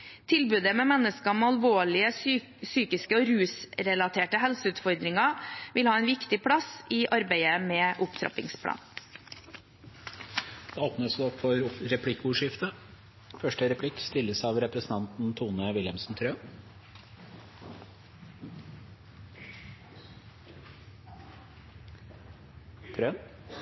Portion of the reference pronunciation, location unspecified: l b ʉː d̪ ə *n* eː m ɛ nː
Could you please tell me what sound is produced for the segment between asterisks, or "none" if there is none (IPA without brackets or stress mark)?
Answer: m